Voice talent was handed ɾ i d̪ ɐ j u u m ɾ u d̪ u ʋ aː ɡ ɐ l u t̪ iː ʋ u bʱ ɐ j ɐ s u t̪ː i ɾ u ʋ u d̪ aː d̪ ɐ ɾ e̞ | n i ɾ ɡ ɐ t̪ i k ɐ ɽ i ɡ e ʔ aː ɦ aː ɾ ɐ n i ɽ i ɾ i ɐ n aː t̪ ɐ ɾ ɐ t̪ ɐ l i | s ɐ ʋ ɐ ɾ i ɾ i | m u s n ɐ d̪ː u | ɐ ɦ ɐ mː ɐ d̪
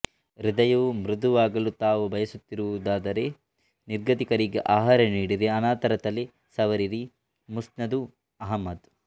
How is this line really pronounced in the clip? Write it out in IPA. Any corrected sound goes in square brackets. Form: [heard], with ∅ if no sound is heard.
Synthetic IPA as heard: ɾ i d̪ ɐ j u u m ɾ u d̪ u ʋ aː ɡ ɐ l u t̪ [aː] ʋ u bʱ ɐ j ɐ s u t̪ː i ɾ u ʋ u d̪ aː d̪ ɐ ɾ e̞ | n i ɾ ɡ ɐ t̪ i k ɐ [ɾ] i ɡ e ʔ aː ɦ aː ɾ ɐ n [iː] ɽ i ɾ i ɐ n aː t̪ ɐ ɾ ɐ t̪ ɐ l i | s ɐ ʋ ɐ ɾ i ɾ i | m u s n ɐ [d̪] u | ɐ ɦ ɐ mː ɐ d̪